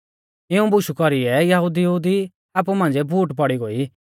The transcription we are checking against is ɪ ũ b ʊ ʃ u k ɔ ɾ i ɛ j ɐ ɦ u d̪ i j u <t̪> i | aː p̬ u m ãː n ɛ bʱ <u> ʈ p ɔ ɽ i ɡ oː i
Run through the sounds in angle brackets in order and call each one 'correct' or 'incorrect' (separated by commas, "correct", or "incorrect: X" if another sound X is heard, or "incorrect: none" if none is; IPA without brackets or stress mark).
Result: incorrect: d̪, incorrect: uː